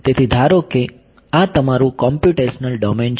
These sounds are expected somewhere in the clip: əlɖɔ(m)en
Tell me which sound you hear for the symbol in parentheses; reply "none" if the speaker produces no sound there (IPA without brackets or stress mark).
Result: m